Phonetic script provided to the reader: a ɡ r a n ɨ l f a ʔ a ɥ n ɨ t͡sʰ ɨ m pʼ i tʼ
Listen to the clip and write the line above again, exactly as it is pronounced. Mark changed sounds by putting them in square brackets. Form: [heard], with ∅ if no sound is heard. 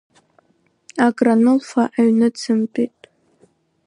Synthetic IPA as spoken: a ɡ r a n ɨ l f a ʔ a ɥ n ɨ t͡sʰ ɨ m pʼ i tʼ